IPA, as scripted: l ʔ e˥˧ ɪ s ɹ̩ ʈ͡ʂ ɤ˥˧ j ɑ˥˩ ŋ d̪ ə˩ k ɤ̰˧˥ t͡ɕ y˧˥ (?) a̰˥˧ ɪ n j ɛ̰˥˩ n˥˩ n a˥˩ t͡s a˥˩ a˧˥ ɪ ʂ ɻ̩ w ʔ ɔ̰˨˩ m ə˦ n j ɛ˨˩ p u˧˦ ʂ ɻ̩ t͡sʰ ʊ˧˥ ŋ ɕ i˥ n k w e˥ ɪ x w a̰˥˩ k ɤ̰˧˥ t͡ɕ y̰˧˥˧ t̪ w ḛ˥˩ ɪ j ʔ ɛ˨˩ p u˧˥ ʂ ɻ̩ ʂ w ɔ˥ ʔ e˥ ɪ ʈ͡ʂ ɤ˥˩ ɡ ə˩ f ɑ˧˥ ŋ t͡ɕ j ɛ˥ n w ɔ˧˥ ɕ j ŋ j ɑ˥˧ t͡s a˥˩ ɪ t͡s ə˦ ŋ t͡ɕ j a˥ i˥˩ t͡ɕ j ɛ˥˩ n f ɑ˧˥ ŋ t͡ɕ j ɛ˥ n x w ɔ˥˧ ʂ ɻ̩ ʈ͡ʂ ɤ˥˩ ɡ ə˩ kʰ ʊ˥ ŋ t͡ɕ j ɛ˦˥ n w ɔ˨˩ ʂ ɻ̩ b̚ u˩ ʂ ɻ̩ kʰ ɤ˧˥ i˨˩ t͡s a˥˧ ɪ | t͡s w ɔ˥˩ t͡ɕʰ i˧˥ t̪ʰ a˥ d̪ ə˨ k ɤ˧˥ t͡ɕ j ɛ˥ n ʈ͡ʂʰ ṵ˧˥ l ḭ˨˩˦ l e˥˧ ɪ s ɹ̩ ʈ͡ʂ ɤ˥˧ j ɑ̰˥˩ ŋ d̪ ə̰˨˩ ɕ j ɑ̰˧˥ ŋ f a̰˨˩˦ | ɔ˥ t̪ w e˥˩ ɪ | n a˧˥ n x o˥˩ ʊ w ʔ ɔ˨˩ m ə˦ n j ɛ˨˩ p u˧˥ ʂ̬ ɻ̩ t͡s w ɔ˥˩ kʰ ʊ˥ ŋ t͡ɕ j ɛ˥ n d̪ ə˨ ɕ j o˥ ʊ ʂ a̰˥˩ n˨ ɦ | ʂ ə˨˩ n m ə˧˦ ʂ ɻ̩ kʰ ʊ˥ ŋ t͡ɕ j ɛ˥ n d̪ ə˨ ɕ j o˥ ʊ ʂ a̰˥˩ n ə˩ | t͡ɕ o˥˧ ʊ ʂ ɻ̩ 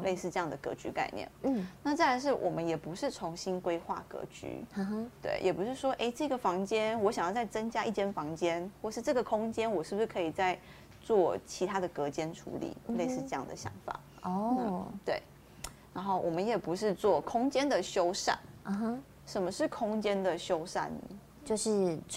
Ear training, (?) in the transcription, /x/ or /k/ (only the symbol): k